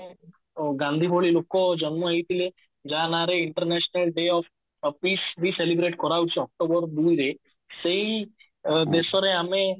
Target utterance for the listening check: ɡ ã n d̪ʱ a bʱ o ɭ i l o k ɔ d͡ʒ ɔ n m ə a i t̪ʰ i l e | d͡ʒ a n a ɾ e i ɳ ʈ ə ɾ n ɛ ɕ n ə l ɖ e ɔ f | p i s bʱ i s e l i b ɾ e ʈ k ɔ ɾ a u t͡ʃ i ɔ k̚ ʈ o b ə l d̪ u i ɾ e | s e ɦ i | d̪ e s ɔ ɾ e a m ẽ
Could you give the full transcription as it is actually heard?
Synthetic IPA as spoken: ɡ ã n d̪ʱ i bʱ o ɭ i l o k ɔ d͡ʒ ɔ n m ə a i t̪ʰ i l e | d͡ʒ a n a ɾ e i ɳ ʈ ə ɾ n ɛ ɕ n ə l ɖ e ɔ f | p i s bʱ i s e l i b ɾ e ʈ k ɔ ɾ a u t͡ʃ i ɔ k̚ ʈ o b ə ɾ d̪ u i ɾ e | s e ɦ i | d̪ e s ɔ ɾ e a m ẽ

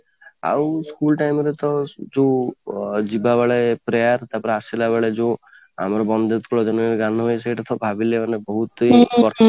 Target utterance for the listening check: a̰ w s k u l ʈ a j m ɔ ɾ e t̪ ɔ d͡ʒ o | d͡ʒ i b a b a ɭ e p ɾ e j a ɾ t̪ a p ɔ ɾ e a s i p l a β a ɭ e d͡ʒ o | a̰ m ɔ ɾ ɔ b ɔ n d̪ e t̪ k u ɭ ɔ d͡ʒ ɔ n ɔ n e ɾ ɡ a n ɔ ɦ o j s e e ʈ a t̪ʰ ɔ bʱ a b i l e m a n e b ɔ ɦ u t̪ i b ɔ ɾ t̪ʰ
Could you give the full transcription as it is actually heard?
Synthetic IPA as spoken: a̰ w s k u l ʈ a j m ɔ ɾ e t̪ ɔ d͡ʒ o | d͡ʒ i b a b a ɭ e p ɾ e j a ɾ t̪ a p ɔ ɾ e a s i l a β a ɭ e d͡ʒ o | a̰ m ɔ ɾ ɔ b ɔ n d̪ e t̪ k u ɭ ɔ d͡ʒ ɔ n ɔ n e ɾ ɡ a n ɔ ɦ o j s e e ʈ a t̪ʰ ɔ bʱ a b i l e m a n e b ɔ ɦ u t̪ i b ɔ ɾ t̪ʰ

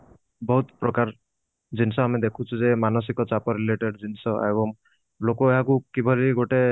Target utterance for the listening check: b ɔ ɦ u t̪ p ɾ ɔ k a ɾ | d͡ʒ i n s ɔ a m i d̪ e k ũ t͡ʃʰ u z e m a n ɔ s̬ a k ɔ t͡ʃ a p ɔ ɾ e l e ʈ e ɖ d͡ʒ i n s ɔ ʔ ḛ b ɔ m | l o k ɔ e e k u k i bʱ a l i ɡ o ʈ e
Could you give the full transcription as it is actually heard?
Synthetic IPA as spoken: b ɔ ɦ u t̪ p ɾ ɔ k a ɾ | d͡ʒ i n s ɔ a m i d̪ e kʰ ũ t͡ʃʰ u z e m a n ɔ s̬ i k ɔ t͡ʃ a p ɔ ɾ i l e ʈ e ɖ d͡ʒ i n s ɔ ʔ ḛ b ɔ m | l o k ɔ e a k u k i bʱ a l i ɡ o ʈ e

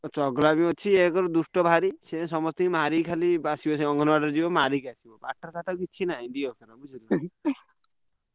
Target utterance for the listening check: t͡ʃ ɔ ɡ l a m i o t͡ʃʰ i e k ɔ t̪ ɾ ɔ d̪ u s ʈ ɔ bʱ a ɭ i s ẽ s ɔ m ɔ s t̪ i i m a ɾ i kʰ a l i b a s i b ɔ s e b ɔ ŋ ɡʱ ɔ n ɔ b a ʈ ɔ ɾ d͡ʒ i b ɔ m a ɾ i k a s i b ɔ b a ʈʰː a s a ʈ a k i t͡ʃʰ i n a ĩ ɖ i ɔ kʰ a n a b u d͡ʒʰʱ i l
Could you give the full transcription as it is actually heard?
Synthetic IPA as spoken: t͡ʃ ɔ ɡ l a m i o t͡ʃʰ i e k ɔ ɾ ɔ d̪ u s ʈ ɔ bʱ a ɾ i s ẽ s ɔ m ɔ s t̪ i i m a ɾ i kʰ a l i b a s i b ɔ s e ɔ ŋ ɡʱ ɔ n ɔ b a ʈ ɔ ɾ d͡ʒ i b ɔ m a ɾ i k a s i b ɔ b a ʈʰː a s a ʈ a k i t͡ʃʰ i n a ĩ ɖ i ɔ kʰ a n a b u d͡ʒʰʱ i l

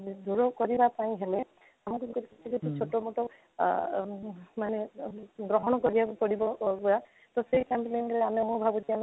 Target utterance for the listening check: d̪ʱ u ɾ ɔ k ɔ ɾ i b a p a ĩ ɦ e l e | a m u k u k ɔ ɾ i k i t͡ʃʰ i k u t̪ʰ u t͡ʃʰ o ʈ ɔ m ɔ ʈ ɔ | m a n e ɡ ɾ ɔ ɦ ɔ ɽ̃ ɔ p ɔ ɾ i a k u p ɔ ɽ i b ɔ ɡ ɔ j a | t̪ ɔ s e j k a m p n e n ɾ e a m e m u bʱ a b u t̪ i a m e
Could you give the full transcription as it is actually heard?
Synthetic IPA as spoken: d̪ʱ u ɾ ɔ k ɔ ɾ i b a p a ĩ ɦ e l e | a m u k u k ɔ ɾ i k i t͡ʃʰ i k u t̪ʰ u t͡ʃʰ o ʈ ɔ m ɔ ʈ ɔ | m a n e ɡ ɾ ɔ ɦ ɔ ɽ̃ ɔ k ɔ ɾ i a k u p ɔ ɽ i b ɔ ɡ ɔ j a | t̪ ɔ s e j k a m p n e n ɾ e a m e m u bʱ a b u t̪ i a m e

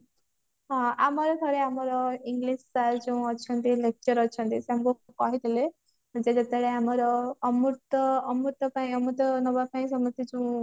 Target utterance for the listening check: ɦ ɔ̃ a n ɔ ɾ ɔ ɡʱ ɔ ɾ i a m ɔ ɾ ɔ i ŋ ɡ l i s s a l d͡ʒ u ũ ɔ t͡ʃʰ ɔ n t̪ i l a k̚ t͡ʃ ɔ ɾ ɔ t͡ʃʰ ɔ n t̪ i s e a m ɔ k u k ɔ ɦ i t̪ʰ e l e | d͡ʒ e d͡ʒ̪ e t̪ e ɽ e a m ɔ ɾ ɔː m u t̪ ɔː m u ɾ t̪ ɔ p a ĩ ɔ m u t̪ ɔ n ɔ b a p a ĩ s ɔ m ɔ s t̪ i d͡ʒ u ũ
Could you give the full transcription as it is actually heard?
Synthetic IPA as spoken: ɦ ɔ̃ a m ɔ ɾ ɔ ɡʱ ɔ ɾ e a m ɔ ɾ ɔ i ŋ ɡ l i s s a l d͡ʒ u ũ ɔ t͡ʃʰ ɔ n t̪ i l e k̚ t͡ʃ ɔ ɾ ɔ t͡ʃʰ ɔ n t̪ i s e a m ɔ k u k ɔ ɦ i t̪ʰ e l e | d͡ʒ e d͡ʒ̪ e t̪ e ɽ e a m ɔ ɾ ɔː m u t̪ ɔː m u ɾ t̪ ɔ p a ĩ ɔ m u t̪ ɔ n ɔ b a p a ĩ s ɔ m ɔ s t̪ i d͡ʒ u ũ

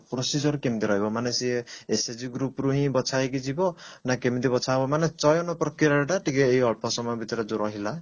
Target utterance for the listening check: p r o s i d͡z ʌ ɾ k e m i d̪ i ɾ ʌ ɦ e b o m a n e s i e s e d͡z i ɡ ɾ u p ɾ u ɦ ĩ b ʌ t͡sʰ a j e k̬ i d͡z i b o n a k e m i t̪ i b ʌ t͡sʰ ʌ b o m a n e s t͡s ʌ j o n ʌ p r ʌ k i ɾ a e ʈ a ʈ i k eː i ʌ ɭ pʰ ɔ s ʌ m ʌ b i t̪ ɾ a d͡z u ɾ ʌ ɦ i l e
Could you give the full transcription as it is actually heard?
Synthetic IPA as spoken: p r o s i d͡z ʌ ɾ k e m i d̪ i ɾ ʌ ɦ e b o m a n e s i e s e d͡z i ɡ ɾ u p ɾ u ɦ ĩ b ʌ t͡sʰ a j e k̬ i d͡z i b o n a k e m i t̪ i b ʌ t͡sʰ a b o m a n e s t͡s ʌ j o n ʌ p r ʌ k i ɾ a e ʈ a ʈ i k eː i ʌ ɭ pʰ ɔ s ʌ m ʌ b i t̪ ɾ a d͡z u ɾ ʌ ɦ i l a

